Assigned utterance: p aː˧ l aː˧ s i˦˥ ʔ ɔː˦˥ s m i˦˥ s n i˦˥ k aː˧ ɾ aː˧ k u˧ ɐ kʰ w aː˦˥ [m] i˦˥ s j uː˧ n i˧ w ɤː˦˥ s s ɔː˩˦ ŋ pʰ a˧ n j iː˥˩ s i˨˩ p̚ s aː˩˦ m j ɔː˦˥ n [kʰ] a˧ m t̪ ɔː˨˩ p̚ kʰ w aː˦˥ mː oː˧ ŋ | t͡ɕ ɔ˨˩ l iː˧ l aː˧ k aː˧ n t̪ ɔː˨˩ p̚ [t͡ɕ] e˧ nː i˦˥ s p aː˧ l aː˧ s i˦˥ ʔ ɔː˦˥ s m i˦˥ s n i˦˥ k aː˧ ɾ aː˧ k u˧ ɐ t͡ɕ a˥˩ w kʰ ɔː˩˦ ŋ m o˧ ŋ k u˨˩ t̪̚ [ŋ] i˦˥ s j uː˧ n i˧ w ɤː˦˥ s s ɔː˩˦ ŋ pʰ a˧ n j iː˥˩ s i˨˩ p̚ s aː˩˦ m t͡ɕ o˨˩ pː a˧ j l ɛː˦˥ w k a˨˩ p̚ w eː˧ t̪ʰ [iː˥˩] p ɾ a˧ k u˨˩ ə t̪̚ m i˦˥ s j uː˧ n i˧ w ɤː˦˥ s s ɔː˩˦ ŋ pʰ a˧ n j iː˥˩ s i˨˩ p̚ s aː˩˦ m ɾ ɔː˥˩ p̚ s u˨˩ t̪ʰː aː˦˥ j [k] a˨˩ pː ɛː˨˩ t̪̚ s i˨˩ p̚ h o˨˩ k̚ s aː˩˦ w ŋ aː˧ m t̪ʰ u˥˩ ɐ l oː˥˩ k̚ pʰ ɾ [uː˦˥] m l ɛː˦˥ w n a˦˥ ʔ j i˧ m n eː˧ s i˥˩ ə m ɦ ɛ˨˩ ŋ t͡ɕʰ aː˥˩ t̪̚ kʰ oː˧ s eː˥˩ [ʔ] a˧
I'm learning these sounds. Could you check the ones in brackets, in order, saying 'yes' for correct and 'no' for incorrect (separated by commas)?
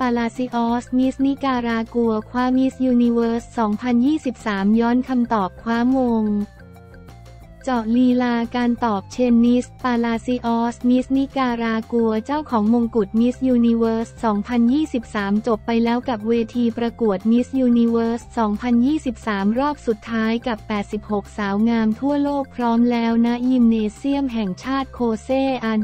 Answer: yes, yes, no, no, no, yes, no, yes